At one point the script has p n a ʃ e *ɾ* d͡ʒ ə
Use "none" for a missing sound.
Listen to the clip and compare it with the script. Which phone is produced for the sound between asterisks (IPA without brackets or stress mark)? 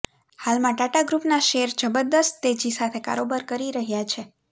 ɾ